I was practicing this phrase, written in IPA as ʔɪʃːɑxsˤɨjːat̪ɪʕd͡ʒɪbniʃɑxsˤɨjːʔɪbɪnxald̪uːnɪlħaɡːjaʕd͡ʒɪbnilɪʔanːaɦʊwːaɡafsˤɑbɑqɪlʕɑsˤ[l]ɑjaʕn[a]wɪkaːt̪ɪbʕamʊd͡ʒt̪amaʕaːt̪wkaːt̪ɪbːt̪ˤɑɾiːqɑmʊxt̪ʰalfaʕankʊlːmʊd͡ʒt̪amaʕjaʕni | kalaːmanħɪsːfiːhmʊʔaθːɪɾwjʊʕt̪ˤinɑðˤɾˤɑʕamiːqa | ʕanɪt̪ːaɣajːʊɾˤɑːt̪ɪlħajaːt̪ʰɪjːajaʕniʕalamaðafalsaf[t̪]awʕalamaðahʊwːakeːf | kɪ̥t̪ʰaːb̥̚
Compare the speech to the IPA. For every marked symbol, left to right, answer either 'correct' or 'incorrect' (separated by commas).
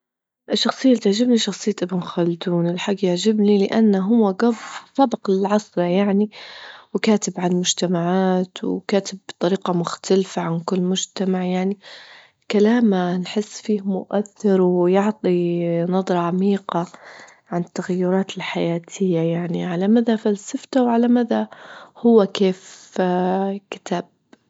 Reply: incorrect, incorrect, correct